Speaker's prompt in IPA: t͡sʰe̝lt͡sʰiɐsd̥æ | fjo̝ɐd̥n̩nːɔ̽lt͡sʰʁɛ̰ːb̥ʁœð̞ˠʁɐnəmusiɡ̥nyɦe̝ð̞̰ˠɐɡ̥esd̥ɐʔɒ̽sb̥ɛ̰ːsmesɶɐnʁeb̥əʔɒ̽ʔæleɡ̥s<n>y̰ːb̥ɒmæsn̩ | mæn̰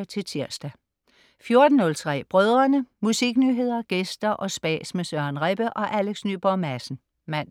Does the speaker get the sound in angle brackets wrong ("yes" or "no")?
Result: no